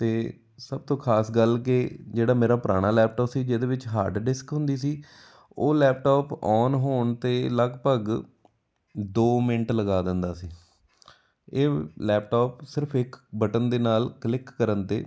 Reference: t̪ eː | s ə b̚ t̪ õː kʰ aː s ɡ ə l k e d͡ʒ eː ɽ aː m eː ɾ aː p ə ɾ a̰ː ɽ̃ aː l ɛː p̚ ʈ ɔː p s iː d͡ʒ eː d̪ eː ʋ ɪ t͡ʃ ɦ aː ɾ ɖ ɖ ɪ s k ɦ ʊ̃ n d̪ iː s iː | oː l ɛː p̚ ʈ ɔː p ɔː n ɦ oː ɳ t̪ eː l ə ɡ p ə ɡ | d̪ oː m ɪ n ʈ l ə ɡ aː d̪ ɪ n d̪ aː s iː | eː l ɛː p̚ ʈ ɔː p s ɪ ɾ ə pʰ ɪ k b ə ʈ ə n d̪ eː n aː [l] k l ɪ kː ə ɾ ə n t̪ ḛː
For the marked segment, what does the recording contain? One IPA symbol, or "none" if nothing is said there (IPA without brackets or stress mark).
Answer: l